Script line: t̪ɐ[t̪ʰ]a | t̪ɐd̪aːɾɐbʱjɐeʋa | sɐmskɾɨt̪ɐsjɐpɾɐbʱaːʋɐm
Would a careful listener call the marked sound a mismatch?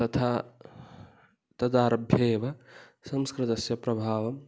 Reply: no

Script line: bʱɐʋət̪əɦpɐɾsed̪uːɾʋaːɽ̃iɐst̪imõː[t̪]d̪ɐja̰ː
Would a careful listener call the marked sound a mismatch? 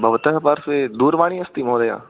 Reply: yes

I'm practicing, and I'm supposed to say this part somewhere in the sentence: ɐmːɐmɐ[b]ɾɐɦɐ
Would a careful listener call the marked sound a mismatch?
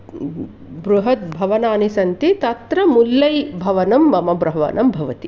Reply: no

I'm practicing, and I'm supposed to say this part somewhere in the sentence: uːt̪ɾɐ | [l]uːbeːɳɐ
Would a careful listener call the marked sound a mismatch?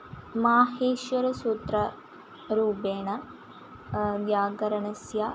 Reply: yes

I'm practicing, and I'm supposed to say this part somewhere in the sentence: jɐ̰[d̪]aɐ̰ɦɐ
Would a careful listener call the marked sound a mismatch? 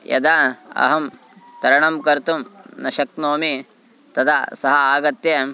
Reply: no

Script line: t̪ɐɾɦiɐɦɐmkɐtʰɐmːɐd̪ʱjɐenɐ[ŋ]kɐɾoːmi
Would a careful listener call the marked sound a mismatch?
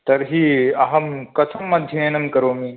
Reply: yes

